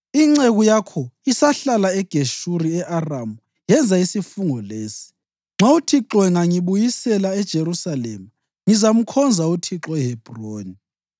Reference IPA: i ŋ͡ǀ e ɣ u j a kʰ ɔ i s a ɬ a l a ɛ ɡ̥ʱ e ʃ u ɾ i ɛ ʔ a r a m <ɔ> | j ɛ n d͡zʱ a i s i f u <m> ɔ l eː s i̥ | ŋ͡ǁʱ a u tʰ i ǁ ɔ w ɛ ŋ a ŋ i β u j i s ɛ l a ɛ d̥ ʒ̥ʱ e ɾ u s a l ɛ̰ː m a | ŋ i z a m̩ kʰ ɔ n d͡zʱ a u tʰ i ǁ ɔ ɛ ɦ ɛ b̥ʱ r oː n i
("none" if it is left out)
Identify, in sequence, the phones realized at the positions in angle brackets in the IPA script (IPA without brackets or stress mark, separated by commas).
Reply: u, ŋ